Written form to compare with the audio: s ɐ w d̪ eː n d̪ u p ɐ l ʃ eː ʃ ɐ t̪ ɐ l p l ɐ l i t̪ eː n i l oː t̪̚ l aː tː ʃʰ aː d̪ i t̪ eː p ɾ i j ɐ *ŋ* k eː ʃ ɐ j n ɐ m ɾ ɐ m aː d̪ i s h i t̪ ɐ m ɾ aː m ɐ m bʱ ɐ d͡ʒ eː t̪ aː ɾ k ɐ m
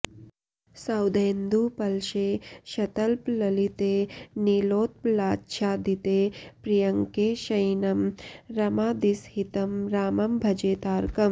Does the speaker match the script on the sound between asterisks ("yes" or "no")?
yes